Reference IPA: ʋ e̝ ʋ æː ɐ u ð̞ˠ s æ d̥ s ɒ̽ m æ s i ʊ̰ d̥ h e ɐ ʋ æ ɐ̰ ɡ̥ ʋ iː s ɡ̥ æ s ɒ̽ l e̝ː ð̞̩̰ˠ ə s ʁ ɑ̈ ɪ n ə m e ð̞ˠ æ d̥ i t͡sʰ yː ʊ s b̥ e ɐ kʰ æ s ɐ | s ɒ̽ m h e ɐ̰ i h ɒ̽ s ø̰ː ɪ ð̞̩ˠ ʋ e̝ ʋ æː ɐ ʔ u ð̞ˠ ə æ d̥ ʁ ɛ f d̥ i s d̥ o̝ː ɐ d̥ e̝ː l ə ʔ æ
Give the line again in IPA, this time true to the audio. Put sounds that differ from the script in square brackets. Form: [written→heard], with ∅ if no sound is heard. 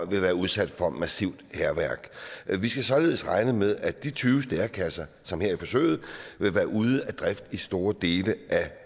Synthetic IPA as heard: ʋ e̝ ʋ æː ɐ u ð̞ˠ s æ d̥ [s→f] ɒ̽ m æ s i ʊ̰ d̥ h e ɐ ʋ æ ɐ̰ ɡ̥ ʋ [iː→i] s ɡ̥ æ s ɒ̽ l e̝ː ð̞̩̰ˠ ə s ʁ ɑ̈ ɪ n ə m e ð̞ˠ æ d̥ i t͡sʰ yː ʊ s [b̥→d̥] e ɐ kʰ æ s ɐ | s ɒ̽ m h e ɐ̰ i [h→f] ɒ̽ s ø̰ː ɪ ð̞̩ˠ ʋ e̝ ʋ æː ɐ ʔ u ð̞ˠ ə æ d̥ ʁ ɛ f d̥ i s d̥ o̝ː ɐ d̥ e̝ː l ə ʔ æ